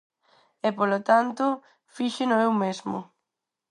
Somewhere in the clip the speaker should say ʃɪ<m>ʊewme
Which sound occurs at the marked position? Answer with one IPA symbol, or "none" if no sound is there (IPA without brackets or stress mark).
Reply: n